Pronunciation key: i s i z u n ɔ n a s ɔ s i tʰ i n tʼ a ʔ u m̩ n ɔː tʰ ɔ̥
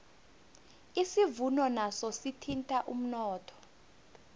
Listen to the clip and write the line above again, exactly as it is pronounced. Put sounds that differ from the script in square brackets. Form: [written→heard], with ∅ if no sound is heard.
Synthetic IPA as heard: i s i [z→v] u n ɔ n a s ɔ s i tʰ i n tʼ a ʔ u m̩ n ɔː tʰ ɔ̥